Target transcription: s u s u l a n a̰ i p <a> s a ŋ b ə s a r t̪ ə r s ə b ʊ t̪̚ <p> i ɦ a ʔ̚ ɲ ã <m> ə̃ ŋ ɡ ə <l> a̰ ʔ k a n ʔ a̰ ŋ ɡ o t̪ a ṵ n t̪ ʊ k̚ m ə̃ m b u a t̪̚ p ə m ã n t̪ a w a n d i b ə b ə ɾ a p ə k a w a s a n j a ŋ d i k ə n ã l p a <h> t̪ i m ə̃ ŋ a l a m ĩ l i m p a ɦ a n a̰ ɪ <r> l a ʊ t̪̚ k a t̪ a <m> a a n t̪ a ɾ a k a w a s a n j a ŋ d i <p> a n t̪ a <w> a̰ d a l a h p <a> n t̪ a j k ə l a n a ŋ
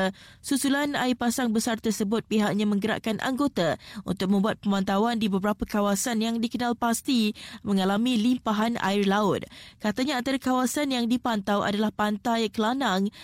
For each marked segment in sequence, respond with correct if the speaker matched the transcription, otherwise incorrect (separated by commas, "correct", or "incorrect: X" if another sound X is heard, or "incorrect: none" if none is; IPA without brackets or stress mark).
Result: correct, correct, correct, incorrect: ɾ, incorrect: s, correct, incorrect: ɲ, correct, correct, correct